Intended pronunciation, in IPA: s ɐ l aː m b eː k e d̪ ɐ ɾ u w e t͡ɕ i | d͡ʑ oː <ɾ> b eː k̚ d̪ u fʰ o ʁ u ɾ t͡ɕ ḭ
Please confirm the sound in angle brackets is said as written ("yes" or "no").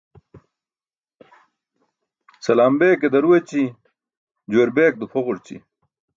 yes